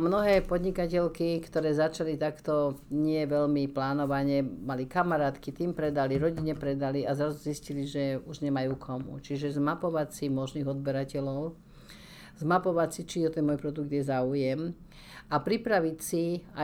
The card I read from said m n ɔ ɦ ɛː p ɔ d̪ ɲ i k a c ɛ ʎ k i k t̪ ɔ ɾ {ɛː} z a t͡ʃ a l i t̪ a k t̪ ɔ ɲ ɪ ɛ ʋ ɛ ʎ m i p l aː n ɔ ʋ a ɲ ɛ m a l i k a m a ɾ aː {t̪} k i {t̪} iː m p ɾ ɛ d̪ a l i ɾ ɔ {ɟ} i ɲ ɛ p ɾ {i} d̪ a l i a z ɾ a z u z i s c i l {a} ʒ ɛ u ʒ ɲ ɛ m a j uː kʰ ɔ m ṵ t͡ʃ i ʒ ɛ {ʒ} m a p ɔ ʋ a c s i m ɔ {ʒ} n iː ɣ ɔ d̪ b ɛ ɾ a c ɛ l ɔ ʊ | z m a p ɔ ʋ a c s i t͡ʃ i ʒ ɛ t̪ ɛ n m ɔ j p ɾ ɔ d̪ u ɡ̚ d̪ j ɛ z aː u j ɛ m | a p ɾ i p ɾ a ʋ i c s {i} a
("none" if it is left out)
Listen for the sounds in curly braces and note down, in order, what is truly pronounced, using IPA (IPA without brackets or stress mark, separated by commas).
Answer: ɛː, t̪, t̪, ɟ, ɛ, i, z, ʒ, i